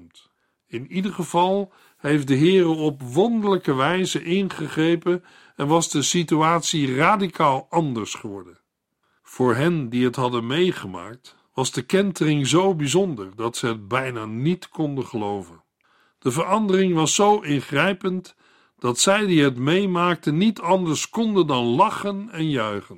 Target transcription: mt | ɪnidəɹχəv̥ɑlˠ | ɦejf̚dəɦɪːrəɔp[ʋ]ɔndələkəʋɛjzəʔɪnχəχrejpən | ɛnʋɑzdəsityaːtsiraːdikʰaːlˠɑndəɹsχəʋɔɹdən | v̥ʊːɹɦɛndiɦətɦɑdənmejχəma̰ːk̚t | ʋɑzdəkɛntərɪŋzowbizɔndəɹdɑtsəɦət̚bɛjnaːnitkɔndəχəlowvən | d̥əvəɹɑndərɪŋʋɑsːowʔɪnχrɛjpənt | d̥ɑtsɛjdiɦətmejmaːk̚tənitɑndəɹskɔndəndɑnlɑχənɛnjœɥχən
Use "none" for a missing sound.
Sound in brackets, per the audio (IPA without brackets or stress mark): ʋ